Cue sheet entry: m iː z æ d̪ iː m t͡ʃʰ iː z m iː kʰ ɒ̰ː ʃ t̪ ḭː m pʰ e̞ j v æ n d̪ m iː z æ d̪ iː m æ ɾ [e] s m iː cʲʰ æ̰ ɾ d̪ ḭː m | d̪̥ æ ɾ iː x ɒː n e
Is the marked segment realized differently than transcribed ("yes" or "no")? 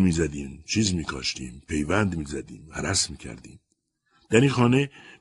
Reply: yes